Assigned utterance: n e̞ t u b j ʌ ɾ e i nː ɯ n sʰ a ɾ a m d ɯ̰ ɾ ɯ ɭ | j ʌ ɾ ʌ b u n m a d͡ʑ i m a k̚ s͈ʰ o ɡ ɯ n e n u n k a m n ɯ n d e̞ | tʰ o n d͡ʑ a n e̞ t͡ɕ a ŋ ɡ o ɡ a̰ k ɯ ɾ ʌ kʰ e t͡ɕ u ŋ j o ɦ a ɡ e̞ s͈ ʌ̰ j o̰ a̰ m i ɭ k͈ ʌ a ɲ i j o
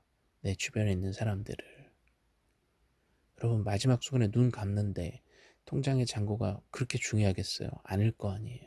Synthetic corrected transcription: n e̞ t͡ɕ u b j ʌ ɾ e i nː ɯ n sʰ a ɾ a m d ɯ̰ ɾ ɯ ɭ | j ʌ ɾ ʌ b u n m a d͡ʑ i m a k̚ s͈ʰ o ɡ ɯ n e n u n k a m n ɯ n d e̞ | tʰ o ŋ d͡ʑ a ŋ e̞ t͡ɕ a ŋ ɡ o ɡ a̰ k ɯ ɾ ʌ kʰ e t͡ɕ u ŋ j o ɦ a ɡ e̞ s͈ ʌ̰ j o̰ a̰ ɲ i ɭ k͈ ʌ a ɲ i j o